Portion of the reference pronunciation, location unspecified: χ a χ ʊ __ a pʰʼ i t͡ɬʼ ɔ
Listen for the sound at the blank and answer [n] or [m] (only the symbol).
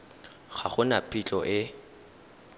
n